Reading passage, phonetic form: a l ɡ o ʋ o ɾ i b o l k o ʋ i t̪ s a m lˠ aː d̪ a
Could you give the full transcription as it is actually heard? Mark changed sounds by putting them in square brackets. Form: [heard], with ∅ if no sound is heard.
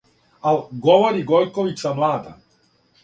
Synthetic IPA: a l ɡ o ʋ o ɾ i [ɡ] o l k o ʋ i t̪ s a m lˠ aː d̪ a